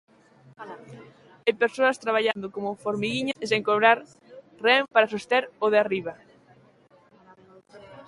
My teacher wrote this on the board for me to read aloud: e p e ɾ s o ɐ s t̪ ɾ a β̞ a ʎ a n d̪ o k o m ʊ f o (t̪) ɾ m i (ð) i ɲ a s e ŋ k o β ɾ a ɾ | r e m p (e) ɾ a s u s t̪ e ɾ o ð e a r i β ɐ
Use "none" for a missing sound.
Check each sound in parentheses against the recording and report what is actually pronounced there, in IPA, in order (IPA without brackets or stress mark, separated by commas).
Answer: none, ɣ, a